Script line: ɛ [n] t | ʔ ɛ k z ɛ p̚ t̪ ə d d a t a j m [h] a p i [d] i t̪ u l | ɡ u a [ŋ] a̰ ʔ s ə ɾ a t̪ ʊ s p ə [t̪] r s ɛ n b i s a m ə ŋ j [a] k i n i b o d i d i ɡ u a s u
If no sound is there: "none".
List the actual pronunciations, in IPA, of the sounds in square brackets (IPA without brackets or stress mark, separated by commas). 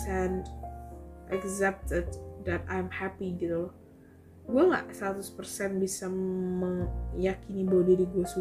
n, h, ɡ, ŋ, none, a